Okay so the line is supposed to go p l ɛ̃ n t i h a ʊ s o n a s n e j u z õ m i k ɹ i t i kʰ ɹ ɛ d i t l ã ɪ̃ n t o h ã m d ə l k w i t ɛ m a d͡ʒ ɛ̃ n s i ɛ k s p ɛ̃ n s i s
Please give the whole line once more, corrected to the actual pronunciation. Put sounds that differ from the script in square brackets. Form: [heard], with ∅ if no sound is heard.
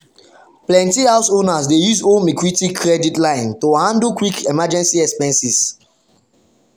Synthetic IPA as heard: p l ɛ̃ n t i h a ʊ s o n a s [d] e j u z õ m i k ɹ i t i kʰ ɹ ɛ d i t l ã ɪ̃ n t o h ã [n] d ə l k w i [k] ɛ m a d͡ʒ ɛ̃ n s i ɛ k s p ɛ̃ n s i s